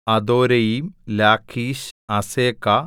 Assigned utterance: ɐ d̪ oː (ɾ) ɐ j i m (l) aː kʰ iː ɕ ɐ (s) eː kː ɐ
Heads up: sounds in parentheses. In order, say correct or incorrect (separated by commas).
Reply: correct, correct, correct